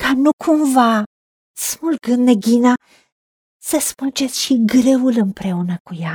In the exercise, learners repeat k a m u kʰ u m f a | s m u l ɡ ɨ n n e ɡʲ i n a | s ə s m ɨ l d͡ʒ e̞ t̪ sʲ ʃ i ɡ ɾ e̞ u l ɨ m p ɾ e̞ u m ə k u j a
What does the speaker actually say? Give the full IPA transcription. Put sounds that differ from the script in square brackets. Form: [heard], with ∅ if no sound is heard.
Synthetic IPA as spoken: k a [n] u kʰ u m [v] a | s m u l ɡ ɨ n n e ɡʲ i n a | s ə s m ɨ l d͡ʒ e̞ t̪ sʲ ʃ i ɡ ɾ e̞ u l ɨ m p ɾ e̞ u [n] ə k u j a